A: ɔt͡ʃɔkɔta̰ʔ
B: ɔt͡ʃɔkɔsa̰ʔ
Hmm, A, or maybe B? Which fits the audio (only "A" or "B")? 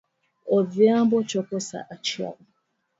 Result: B